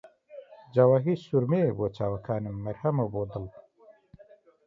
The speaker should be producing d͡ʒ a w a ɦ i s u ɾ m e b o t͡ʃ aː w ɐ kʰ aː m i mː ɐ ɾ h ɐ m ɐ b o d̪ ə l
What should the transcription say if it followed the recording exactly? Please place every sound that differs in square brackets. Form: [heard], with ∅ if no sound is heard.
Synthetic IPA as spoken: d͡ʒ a w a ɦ i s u ɾ m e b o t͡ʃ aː w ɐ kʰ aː [n] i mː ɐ ɾ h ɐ m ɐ b o d̪ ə l